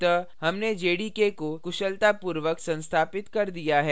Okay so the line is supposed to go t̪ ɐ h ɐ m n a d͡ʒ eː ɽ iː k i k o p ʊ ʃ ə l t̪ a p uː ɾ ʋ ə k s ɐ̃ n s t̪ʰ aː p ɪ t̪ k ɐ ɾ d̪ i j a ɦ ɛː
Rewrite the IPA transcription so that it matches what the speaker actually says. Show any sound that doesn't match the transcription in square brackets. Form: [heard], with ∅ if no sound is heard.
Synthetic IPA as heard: t̪ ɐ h ɐ m n [e] d͡ʒ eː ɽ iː k [e] k o [k] ʊ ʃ ə l t̪ a p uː ɾ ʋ ə k s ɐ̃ n s t̪ʰ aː p ɪ t̪ k ɐ ɾ d̪ i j a ɦ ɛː